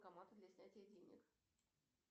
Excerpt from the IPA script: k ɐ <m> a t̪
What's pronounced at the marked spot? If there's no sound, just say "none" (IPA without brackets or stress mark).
m